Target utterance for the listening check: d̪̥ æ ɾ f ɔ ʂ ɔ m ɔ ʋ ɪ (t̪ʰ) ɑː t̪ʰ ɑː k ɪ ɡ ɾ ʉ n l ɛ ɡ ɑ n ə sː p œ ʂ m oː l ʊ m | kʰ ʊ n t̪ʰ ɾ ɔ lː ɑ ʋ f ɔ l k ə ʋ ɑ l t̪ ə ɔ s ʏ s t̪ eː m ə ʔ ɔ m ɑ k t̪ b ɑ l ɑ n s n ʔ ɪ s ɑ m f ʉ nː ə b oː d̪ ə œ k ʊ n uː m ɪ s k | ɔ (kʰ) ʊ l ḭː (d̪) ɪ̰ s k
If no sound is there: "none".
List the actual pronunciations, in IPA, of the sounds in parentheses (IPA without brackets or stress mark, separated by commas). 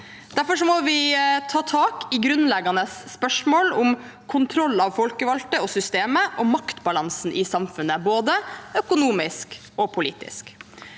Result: t̪ʰ, pʰ, t̪